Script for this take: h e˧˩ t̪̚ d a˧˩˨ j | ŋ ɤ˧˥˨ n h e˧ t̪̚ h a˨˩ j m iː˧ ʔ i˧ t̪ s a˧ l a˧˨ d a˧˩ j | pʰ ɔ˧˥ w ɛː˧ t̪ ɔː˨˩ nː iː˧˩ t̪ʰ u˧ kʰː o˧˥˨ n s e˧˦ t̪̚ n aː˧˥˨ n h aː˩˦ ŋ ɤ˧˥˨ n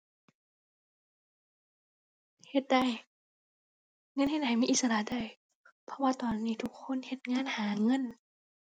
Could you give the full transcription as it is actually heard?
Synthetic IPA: h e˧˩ t̪̚ d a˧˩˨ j | ŋ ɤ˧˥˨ n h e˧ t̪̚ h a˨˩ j m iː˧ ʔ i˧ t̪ s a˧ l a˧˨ d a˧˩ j | pʰ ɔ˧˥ w aː˧ t̪ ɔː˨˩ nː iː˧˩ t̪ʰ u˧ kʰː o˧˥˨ n h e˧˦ t̪̚ ŋ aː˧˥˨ n h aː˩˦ ŋ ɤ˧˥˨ n